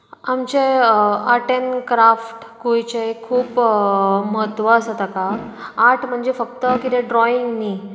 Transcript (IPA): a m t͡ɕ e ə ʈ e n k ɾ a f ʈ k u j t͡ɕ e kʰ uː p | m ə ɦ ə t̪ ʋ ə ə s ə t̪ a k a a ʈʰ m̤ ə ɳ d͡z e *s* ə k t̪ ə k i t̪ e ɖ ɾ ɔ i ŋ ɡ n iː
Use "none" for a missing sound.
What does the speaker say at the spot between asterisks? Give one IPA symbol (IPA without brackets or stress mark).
f